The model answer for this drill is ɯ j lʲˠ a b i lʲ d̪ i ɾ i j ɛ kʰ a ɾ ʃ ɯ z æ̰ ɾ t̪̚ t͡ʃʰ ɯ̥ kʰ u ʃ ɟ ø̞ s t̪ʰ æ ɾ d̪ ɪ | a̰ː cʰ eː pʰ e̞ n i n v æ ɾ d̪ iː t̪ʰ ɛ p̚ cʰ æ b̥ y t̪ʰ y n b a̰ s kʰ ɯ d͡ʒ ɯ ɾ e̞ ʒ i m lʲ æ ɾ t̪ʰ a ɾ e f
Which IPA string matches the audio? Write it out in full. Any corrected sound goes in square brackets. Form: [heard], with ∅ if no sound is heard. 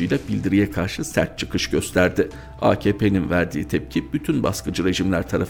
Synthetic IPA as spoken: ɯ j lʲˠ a b i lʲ d̪ i ɾ i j ɛ kʰ a ɾ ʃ ɯ [s] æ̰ ɾ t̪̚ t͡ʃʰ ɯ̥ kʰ [ɯ] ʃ ɟ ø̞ s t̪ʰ æ ɾ d̪ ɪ | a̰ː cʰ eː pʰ e̞ n i n v æ ɾ d̪ iː t̪ʰ ɛ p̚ cʰ [i] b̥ y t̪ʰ y n b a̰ s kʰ ɯ d͡ʒ ɯ ɾ e̞ ʒ i m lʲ æ ɾ t̪ʰ a ɾ [a] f